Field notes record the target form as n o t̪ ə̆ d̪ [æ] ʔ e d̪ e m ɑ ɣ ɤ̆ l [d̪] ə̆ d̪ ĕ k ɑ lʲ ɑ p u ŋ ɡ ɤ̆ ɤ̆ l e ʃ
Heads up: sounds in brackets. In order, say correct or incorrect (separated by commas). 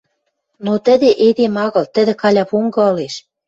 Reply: incorrect, incorrect